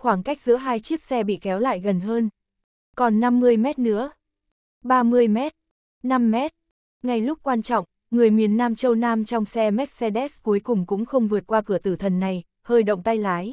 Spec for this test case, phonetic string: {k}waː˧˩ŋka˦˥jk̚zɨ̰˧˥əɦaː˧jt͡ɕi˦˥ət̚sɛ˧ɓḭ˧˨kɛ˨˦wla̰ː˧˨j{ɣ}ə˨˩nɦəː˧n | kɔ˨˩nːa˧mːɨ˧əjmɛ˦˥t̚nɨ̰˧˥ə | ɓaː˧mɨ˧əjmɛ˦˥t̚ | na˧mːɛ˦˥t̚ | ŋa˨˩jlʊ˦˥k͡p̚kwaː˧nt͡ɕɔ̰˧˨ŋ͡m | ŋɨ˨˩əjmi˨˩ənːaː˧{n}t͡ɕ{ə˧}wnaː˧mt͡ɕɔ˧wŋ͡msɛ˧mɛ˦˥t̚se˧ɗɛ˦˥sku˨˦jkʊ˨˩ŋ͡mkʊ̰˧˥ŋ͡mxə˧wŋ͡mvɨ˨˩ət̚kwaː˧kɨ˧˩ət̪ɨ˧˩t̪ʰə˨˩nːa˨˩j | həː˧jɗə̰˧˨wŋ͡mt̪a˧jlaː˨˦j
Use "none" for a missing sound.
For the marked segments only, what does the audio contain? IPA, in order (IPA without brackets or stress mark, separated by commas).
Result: x, ɣ, m, ə˧